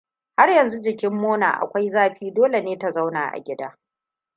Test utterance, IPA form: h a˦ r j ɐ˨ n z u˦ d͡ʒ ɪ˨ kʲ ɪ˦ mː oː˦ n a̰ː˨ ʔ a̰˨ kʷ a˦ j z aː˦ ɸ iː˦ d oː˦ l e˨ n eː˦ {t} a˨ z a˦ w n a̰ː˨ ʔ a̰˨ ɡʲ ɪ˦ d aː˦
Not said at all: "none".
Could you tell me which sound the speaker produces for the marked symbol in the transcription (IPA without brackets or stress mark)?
t